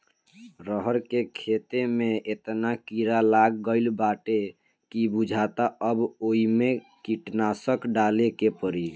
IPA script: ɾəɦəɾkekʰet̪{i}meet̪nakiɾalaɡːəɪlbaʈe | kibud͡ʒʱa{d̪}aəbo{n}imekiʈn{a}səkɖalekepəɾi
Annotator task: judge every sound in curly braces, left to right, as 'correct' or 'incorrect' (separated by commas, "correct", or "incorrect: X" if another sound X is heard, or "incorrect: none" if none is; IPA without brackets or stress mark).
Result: incorrect: e, incorrect: t̪, incorrect: none, correct